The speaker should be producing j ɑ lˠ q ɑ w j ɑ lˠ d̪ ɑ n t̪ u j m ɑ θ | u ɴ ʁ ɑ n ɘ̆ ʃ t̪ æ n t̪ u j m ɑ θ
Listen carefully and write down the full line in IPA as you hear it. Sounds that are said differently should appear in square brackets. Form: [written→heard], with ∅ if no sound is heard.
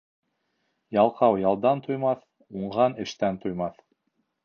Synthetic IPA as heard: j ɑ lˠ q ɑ w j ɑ lˠ d̪ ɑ n t̪ u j m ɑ θ | u ɴ ʁ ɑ n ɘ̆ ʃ t̪ æ n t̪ u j m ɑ θ

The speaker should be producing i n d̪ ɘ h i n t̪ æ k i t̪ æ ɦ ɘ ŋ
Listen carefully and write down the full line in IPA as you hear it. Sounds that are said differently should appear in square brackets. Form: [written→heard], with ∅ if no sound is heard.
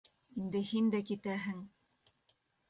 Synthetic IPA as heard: i n d̪ ɘ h i n [t̪→d̪] æ k i t̪ æ ɦ ɘ ŋ

